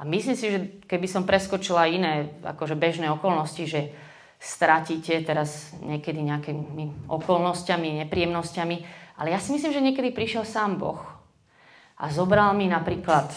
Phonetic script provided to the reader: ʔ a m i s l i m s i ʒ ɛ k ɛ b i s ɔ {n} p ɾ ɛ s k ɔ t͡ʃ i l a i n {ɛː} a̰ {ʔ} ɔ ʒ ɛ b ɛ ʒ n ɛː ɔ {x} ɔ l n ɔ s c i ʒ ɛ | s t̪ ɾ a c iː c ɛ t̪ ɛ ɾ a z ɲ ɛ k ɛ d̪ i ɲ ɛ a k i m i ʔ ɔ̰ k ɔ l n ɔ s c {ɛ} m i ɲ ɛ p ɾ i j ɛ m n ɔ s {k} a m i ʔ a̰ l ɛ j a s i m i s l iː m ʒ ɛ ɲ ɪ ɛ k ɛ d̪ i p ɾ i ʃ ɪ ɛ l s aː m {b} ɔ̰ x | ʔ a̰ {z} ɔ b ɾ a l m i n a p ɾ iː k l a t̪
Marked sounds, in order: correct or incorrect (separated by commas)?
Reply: incorrect, correct, incorrect, incorrect, incorrect, incorrect, correct, correct